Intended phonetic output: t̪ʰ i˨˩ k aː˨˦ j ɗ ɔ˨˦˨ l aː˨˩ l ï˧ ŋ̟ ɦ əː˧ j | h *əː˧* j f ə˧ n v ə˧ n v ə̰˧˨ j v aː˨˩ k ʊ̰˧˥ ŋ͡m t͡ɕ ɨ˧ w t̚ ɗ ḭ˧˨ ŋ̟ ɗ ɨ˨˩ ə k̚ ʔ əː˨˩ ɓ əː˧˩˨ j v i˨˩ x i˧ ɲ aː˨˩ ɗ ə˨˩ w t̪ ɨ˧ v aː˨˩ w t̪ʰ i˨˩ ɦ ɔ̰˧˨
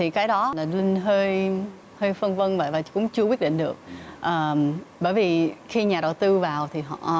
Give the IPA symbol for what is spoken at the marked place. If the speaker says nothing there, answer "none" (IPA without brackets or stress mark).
əː˧